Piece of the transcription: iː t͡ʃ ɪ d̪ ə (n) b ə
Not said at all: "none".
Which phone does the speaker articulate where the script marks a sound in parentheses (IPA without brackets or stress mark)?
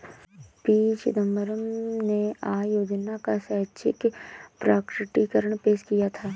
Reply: m